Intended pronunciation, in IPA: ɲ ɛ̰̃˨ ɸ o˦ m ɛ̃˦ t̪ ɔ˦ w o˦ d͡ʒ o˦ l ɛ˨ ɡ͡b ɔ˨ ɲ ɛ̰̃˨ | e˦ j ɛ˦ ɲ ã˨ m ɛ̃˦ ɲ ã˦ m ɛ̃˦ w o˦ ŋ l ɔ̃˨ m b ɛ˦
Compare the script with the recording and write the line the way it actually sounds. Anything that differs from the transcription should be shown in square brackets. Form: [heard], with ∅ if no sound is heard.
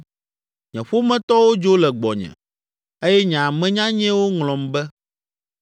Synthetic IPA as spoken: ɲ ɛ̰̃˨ ɸ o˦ m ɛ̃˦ t̪ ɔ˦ w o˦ d͡ʒ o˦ l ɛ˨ ɡ͡b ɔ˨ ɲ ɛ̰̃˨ | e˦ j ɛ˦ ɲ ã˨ m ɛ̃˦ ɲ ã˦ [ɲ] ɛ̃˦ w o˦ ŋ l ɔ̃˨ m b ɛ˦